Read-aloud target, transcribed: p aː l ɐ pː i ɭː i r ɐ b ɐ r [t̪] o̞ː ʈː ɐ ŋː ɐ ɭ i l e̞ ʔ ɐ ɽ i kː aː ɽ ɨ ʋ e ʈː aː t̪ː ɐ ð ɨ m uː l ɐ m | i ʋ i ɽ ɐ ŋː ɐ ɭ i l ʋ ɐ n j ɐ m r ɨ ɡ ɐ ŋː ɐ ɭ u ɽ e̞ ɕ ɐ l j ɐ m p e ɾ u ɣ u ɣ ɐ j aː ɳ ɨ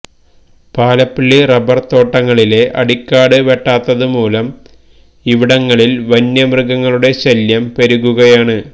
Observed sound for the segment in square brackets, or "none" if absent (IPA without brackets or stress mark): t̪